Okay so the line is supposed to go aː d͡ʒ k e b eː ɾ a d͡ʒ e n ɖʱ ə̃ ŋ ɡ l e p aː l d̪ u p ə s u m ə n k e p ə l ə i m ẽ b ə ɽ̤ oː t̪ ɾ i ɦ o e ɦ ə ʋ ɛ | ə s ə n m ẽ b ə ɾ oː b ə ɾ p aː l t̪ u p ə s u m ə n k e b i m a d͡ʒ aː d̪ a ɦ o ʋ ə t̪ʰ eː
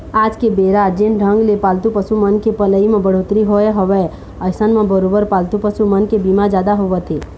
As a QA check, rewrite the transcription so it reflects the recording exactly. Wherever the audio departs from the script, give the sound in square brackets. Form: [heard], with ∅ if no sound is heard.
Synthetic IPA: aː d͡ʒ k e b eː ɾ a d͡ʒ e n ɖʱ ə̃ ŋ ɡ l e p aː l [t̪] u p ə s u m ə n k e p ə l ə i m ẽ b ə ɽ̤ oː t̪ ɾ i ɦ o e ɦ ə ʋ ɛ | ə s ə n m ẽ b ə ɾ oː b ə ɾ p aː l t̪ u p ə s u m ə n k e b i m a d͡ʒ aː d̪ a ɦ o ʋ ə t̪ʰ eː

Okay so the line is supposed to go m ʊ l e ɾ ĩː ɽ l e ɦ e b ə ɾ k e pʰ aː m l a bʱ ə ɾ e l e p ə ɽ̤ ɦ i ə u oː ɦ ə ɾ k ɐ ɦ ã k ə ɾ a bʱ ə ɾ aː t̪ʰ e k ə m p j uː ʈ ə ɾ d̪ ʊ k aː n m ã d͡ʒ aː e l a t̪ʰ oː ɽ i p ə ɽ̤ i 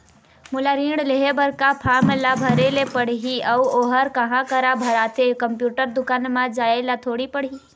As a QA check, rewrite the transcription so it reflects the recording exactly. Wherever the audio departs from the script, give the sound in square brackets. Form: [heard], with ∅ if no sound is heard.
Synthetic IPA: m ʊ l [a] ɾ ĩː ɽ l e ɦ e b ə ɾ k [a] pʰ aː m l a bʱ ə ɾ e l e p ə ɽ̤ ɦ i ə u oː ɦ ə ɾ k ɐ ɦ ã k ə ɾ a bʱ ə ɾ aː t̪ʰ e k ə m p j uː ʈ ə ɾ d̪ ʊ k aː n m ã d͡ʒ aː e l a t̪ʰ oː ɽ i p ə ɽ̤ i

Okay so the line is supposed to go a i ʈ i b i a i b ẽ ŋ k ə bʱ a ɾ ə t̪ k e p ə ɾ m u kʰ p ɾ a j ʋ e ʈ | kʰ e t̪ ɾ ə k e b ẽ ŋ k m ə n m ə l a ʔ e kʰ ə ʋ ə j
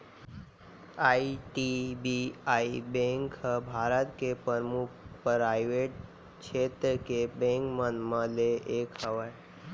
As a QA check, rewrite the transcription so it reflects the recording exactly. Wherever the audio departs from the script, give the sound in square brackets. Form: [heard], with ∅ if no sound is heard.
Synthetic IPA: a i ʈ i b i a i b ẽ ŋ k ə bʱ a ɾ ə t̪ k e p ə ɾ m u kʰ p ɾ a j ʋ e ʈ | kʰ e t̪ ɾ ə k e b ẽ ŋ k m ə n m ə l [e] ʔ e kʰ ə ʋ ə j

